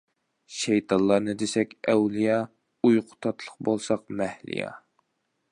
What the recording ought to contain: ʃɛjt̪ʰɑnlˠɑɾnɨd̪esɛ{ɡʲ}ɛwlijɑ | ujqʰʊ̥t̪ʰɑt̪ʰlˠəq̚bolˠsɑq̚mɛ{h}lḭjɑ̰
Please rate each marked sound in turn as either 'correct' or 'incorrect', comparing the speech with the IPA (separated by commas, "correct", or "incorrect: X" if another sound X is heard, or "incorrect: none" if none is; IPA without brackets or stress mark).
incorrect: kʲ, correct